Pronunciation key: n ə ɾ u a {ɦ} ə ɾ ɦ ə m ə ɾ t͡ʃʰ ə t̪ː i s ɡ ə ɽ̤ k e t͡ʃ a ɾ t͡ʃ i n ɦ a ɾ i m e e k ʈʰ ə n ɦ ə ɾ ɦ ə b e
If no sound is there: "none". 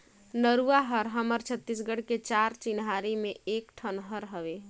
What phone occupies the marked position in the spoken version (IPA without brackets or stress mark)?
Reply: ɦ